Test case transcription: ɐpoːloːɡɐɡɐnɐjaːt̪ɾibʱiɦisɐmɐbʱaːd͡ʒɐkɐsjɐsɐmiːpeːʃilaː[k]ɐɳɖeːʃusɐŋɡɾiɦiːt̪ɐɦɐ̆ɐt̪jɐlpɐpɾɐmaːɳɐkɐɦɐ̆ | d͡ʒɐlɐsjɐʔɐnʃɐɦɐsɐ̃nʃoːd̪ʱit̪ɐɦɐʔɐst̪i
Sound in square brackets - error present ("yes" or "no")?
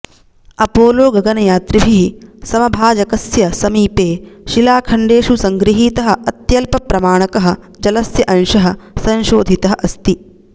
yes